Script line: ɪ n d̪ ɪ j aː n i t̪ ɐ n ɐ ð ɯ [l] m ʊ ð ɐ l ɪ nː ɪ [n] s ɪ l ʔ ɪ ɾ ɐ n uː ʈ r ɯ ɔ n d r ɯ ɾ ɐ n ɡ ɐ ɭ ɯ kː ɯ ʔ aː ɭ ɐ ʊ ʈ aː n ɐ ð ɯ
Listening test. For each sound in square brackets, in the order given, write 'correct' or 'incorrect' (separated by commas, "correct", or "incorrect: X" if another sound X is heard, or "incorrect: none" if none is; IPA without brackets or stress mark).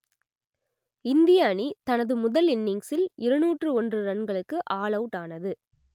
incorrect: none, incorrect: ŋ